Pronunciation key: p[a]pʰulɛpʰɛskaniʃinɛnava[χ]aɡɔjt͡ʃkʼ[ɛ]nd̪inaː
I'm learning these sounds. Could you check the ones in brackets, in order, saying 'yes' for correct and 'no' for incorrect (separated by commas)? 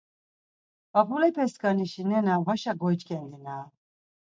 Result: yes, no, yes